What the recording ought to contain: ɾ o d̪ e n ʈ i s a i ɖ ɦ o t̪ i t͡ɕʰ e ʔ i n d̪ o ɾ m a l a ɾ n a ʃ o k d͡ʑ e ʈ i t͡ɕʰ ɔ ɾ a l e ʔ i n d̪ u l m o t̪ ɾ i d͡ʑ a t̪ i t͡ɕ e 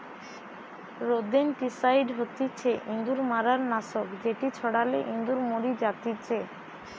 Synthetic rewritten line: ɾ o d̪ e n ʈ i s a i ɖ ɦ o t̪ i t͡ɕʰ e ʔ i n d̪ u ɾ m a ɾ a ɾ n a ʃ o k d͡ʑ e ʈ i t͡ɕʰ ɔ ɽ a l e ʔ i n d̪ u ɾ m o ɾ i d͡ʑ a t̪ i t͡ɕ e

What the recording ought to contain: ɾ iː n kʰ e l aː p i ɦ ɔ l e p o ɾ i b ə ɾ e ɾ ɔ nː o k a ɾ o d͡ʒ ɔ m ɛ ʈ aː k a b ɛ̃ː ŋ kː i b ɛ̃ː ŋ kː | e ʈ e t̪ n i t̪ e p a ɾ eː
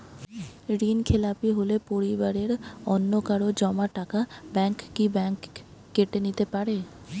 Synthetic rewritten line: ɾ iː n kʰ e l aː p i ɦ o l e p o ɾ i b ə ɾ e ɾ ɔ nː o k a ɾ o d͡ʒ ɔ m a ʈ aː k a b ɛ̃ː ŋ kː i b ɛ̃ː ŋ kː | e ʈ e n i t̪ e p a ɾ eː

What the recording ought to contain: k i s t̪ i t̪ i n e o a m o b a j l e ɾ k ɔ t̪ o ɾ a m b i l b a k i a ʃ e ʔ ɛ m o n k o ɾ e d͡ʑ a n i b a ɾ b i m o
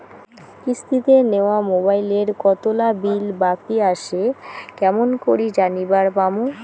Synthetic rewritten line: k i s t̪ i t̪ e n e o a m o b a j l e ɾ k ɔ t̪ o l a b i l b a k i a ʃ e k ɛ m o n k o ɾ i d͡ʑ a n i b a ɾ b a m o

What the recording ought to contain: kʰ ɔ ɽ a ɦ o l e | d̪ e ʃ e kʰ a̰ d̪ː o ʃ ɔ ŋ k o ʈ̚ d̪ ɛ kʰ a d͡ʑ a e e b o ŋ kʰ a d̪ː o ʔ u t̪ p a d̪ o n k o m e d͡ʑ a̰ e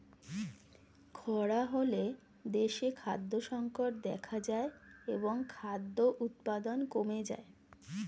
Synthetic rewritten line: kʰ ɔ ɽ a ɦ o l e | d̪ e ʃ e kʰ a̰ d̪ː o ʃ ɔ ŋ k o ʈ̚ d̪ ɛ kʰ a d͡ʑ a e e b o ŋ kʰ a d̪ː o ʔ u t̪ p a d̪ o n k o m e d͡ʑ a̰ e

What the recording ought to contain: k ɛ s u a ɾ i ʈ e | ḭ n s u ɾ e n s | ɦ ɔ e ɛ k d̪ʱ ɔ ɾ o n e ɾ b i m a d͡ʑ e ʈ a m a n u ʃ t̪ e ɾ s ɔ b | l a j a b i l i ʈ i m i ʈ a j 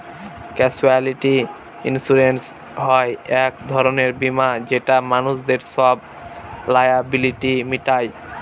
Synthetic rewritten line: k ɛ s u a l i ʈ i | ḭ n s u ɾ e n s | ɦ ɔ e ɛ k d̪ʱ ɔ ɾ o n e ɾ b i m a d͡ʑ e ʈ a m a n u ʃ d̪ e ɾ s ɔ b | l a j a b i l i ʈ i m i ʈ a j

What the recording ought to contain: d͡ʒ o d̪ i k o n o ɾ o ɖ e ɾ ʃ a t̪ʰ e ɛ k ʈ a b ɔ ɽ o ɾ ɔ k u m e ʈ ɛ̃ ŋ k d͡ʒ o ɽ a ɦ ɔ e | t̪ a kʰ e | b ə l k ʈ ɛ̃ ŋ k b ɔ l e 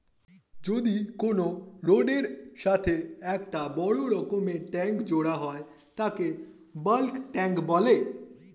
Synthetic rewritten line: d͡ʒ o d̪ i k o n o ɾ o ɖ e ɾ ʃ a t̪ʰ e ɛ k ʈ a b ɔ ɽ o ɾ ɔ k o m e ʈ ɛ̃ ŋ k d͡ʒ o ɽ a ɦ ɔ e | t̪ a k e | b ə l k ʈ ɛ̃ ŋ k b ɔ l e

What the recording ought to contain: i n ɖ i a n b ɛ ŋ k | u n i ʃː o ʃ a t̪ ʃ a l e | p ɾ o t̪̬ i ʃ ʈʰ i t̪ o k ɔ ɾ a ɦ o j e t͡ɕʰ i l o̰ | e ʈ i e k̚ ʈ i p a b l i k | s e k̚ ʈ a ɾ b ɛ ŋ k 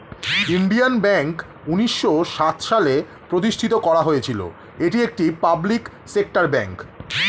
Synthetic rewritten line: i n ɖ i a n b ɛ ŋ k | u n i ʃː o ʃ a t̪ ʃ a l e | p ɾ o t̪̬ i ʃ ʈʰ i t̪ o k ɔ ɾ a ɦ o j e t͡ɕʰ i l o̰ | e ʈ i e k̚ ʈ i p a b l i k | s e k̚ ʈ a ɾ b ɛ ŋ k

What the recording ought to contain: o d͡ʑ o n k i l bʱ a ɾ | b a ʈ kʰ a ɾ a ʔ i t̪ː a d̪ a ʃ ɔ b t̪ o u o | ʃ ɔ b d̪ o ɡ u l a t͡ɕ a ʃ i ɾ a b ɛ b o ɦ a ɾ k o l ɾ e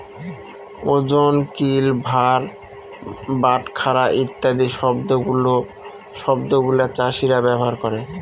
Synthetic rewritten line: o d͡ʑ o n k i l bʱ a ɾ | b a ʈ kʰ a ɾ a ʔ i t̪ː a d̪ i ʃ ɔ b d̪ o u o | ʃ ɔ b d̪ o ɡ u l a t͡ɕ a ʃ i ɾ a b ɛ b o ɦ a ɾ k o ɾ e

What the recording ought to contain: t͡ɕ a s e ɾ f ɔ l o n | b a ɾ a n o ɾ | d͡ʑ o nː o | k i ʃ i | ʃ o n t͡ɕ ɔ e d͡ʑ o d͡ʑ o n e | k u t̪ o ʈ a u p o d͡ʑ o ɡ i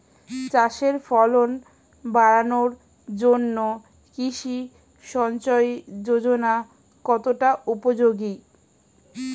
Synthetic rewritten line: t͡ɕ a ʃ e ɾ f ɔ l o n | b a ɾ a n o ɾ | d͡ʑ o nː o | k i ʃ i | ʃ ɔ n t͡ɕ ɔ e d͡ʑ o d͡ʑ o n a | k ɔ t̪ o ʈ a u p o d͡ʑ o ɡ i

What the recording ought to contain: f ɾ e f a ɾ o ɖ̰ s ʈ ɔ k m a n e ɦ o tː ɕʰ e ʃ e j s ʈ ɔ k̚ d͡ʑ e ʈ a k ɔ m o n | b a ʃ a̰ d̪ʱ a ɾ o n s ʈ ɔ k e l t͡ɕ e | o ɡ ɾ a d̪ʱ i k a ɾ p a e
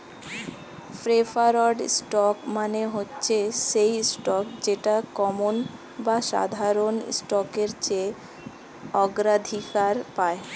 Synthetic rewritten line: f ɾ e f a ɾ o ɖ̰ s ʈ ɔ k m a n e ɦ o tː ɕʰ e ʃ e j s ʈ ɔ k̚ d͡ʑ e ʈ a k ɔ m o n | b a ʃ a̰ d̪ʱ a ɾ o n s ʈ ɔ k e ɾ t͡ɕ e | ɔ ɡ ɾ a d̪ʱ i k a ɾ p a e

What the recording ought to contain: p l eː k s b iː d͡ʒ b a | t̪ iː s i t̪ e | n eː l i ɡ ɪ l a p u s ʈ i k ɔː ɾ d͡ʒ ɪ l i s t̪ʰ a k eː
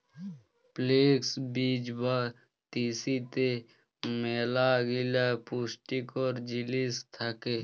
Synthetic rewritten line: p l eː k s b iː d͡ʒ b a | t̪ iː s i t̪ e | m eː l a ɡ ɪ l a p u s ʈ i k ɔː ɾ d͡ʒ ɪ l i s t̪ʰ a k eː

